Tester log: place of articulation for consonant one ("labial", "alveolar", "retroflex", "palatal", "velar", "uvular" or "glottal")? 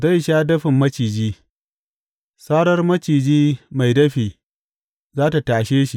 alveolar